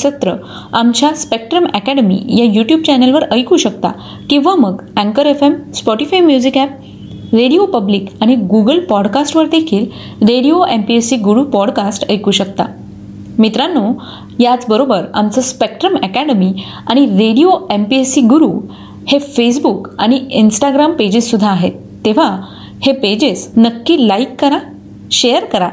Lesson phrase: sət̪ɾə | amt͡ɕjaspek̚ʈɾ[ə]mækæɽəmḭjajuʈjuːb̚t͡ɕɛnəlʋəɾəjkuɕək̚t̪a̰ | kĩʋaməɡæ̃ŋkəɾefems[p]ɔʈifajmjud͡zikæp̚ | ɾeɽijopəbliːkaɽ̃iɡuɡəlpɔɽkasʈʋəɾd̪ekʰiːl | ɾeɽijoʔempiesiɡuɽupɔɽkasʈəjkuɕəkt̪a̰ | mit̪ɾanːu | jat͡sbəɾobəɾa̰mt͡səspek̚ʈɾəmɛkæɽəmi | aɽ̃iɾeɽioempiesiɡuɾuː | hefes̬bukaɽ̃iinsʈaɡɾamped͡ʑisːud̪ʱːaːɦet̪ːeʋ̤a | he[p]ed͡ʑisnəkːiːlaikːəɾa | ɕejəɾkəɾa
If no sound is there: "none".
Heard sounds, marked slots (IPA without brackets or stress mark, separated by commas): ə, p, p